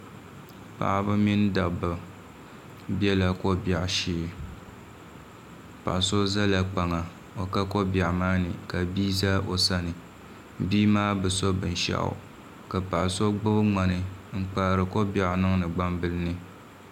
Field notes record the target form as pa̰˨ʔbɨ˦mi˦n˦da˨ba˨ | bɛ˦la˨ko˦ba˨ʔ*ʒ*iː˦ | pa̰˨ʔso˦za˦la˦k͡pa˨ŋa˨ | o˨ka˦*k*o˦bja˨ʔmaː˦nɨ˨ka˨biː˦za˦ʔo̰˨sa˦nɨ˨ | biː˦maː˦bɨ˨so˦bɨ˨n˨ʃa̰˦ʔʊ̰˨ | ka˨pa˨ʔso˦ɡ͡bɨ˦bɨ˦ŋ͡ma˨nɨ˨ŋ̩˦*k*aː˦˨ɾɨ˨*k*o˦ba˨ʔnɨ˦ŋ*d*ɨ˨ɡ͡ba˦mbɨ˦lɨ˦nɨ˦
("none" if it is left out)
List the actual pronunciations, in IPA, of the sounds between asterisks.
ʃ, k, k͡p, k, n

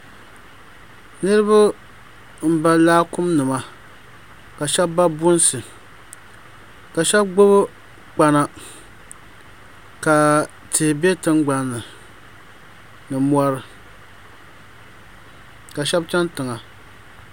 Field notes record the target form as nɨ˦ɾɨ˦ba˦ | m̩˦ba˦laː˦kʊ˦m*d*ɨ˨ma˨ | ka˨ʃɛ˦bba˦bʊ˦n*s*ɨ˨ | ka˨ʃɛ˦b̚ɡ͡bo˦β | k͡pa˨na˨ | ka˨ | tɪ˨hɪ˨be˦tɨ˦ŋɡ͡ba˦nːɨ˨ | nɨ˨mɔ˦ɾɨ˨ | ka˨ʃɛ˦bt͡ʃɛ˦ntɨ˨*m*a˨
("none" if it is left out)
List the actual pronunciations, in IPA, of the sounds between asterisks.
n, s, ŋ

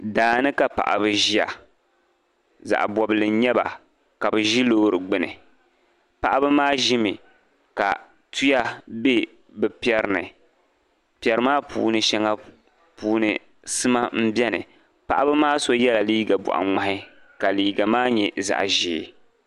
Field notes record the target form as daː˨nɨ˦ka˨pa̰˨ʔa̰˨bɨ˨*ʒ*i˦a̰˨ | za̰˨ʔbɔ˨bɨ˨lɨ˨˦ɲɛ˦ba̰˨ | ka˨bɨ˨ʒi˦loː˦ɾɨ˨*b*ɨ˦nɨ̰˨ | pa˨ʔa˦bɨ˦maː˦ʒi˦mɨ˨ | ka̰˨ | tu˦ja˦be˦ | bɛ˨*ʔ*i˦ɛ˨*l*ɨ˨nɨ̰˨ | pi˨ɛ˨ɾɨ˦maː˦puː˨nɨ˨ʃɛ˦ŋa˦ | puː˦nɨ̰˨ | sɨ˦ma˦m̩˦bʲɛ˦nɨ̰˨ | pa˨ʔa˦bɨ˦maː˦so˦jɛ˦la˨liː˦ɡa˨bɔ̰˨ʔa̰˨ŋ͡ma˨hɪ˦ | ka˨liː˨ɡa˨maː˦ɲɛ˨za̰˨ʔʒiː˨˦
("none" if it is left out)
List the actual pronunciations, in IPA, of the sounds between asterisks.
ʒ, ɡ͡b, p, ɾ

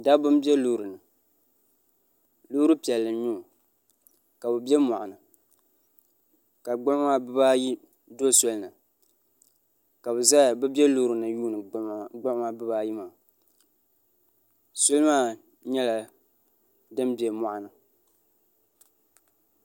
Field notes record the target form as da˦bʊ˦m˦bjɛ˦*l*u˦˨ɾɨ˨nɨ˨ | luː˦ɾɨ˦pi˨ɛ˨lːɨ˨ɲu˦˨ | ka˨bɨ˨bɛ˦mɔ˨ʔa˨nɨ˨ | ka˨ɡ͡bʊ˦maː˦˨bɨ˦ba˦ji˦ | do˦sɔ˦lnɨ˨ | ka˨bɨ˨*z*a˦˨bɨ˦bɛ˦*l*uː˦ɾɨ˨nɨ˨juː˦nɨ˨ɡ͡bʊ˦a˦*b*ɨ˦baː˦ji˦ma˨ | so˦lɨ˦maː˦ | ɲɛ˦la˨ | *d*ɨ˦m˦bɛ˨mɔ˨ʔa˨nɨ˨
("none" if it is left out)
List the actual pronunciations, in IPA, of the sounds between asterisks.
l, z, l, b, d

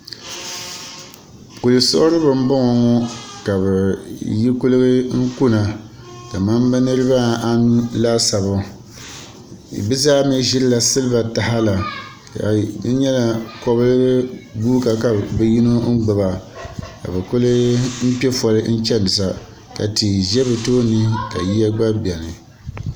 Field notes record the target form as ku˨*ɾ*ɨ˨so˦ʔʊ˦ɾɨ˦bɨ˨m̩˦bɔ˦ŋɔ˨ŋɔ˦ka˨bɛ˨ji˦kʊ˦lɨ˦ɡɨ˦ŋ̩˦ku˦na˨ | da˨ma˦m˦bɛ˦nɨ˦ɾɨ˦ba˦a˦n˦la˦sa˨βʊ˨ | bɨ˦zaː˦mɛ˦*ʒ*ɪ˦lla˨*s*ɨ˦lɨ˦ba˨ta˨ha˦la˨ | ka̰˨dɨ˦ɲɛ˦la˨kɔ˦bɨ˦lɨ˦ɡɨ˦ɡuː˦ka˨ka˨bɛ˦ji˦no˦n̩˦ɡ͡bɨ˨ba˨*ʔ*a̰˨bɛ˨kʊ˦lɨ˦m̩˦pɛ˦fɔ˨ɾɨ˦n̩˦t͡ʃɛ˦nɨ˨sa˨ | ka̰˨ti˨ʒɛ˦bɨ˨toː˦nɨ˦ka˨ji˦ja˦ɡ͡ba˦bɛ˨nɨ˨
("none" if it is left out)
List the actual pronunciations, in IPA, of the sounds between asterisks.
l, ʒ, s, k

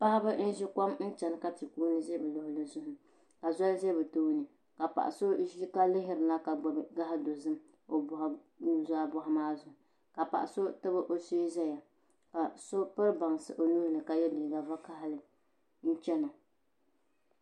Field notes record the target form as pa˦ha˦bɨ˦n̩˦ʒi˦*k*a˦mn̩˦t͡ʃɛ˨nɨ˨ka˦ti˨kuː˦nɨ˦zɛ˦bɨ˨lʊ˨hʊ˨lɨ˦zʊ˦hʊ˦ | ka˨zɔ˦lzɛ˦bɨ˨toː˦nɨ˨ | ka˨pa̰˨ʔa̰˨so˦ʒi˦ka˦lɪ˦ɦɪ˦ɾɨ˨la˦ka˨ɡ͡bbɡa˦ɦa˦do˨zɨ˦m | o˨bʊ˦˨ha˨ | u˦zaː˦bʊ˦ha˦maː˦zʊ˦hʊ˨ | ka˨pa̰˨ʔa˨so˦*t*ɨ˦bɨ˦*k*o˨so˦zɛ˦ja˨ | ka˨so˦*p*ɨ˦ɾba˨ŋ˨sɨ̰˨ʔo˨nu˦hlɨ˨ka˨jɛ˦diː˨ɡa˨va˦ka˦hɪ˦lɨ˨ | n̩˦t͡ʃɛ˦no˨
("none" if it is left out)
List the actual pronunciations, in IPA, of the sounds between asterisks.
k, t, ʔ, p

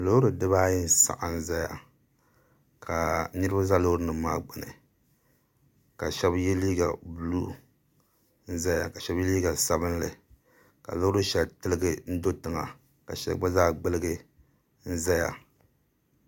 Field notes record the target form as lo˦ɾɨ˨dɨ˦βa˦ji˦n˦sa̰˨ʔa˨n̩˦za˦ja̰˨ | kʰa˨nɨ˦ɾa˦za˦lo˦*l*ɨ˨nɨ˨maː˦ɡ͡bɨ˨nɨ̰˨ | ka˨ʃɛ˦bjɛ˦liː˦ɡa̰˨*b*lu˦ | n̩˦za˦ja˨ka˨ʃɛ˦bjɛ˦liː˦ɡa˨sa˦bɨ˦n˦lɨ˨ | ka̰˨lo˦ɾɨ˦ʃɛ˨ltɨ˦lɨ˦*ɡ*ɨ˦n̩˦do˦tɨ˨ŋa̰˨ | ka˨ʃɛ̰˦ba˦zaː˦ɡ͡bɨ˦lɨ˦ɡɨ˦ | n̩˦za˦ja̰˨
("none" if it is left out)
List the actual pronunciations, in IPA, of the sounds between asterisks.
ɾ, b, ɡ

